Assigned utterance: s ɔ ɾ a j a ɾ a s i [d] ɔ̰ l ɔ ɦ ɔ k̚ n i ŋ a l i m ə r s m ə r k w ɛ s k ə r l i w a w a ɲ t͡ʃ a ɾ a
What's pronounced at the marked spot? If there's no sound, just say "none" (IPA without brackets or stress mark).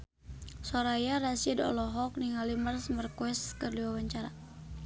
d